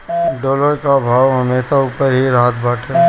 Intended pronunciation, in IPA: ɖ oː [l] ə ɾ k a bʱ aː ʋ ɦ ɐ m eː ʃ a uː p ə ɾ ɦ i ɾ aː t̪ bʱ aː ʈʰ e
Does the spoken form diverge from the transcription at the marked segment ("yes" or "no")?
no